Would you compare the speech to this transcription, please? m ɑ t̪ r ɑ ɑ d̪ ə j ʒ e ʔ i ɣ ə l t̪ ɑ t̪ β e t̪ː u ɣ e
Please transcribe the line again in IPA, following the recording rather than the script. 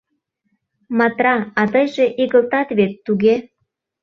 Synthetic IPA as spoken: m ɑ t̪ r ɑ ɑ t̪ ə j ʒ e ʔ i ɣ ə l t̪ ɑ t̪ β e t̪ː u ɣ e

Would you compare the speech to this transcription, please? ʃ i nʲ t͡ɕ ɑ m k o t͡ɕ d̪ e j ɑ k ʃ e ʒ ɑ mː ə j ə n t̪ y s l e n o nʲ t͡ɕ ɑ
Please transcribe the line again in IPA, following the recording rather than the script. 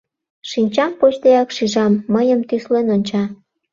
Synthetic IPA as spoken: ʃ i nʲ t͡ɕ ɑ m p o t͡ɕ t̪ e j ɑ k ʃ i ʒ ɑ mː ə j ə m t̪ y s l e n o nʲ t͡ɕ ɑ

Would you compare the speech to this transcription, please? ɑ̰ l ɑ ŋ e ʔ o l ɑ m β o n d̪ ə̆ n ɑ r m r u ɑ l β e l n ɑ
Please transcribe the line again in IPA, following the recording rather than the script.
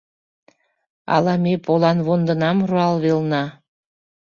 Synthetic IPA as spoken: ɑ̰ l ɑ m e p o l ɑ n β o n d̪ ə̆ n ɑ m r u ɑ l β e l n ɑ

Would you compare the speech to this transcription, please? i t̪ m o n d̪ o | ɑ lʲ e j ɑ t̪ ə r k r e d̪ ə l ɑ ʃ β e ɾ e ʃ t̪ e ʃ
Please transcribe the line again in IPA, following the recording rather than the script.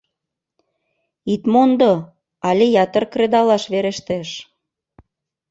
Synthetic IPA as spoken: i t̪ m o n d̪ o | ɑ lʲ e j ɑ t̪ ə r k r e d̪ ɑ l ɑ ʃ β e ɾ e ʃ t̪ e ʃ

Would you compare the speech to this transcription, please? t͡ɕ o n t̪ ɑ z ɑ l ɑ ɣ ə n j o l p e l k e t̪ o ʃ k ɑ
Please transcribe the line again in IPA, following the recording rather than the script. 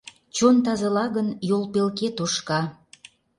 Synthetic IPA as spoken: t͡ɕ o n t̪ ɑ z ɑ l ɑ ɣ ə n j o l p e l k e t̪ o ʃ k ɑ

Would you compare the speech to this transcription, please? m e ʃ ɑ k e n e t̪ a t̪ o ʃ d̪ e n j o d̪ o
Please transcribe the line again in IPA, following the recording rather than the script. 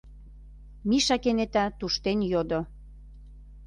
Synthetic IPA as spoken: m i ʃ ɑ k e n e t̪ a t̪ u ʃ t̪ e n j o d̪ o

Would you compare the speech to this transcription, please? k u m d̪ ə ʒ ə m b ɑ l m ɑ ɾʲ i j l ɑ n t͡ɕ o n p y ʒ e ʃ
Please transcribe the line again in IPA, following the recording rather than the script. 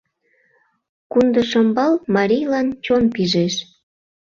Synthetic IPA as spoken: k u n d̪ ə ʃ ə m b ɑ l m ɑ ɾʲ i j l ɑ n t͡ɕ o n p i ʒ e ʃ

